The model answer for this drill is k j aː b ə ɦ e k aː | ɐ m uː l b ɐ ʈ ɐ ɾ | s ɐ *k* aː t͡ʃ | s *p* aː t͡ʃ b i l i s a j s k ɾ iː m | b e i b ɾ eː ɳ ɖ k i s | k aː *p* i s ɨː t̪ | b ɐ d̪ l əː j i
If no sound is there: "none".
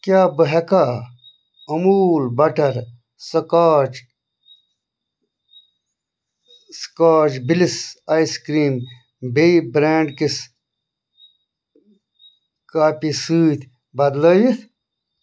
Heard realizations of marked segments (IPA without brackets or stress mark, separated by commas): k, k, p